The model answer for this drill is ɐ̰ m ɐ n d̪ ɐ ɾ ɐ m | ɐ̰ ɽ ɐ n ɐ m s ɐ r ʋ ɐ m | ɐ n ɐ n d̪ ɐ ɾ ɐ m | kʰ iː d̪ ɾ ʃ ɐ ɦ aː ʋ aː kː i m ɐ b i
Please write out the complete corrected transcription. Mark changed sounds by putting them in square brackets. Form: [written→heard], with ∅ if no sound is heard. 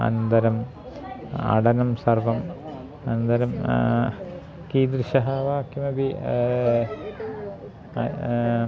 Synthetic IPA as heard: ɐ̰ [m→n] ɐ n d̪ ɐ ɾ ɐ m | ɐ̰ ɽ ɐ n ɐ m s ɐ r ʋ ɐ m | ɐ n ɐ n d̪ ɐ ɾ ɐ m | [kʰ→k] iː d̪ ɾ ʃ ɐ ɦ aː ʋ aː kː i m ɐ b i